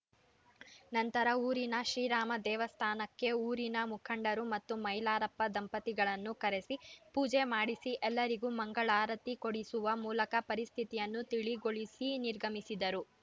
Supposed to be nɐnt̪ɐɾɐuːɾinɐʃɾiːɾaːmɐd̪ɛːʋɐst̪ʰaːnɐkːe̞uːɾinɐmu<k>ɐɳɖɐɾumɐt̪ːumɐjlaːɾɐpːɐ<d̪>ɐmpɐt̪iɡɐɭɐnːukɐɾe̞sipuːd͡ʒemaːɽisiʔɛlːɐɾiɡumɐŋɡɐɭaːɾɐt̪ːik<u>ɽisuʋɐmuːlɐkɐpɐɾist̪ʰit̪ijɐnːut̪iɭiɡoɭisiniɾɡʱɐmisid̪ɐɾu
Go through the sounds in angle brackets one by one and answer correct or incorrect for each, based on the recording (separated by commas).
incorrect, correct, incorrect